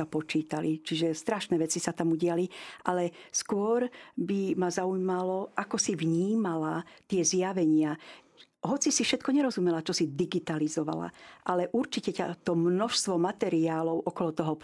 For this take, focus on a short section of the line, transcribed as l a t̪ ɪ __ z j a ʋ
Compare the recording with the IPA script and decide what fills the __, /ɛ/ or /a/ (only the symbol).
ɛ